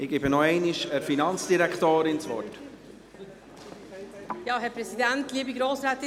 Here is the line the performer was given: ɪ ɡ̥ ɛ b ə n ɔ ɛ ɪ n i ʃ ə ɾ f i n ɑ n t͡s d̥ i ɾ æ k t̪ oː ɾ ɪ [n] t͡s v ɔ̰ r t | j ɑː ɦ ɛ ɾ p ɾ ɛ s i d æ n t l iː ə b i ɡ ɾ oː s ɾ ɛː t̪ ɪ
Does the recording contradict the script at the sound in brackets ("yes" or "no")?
no